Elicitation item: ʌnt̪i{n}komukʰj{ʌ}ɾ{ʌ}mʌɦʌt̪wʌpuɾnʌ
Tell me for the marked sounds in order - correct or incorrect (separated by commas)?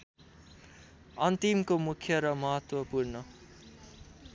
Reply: incorrect, correct, correct